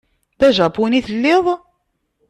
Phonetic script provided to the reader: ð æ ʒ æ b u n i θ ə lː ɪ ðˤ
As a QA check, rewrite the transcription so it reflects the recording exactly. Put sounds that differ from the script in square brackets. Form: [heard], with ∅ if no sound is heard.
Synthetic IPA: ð æ ʒ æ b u n i θ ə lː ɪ ðˤ